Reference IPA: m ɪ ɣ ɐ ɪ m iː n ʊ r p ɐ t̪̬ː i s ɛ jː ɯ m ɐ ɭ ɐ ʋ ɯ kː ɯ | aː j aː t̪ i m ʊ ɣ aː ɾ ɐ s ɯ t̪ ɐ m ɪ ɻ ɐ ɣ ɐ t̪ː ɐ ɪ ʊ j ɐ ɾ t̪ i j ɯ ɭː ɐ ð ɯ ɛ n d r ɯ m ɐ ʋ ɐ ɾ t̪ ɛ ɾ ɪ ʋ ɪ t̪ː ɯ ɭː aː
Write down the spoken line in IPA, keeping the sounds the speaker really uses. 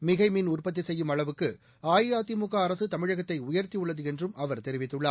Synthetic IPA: m ɪ ɣ ɐ ɪ m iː n ʊ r p ɐ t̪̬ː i s ɛ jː ɯ m ɐ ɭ ɐ ʋ ɯ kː ɯ | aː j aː t̪ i m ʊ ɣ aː ɾ ɐ s ɯ t̪ ɐ m ɪ ɻ ɐ ɣ ɐ t̪ː ɐ ɪ ʊ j ɐ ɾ t̪ i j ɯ ɭː ɐ ð ɯ ɛ n d r ɯ m ɐ ʋ ɐ ɾ t̪ ɛ ɾ ɪ ʋ ɪ t̪ː ɯ ɭː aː